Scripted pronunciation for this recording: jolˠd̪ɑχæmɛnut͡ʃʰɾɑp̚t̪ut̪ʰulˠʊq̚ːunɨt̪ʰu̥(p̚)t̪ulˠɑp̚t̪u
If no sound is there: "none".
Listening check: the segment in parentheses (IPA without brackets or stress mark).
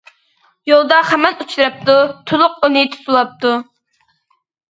none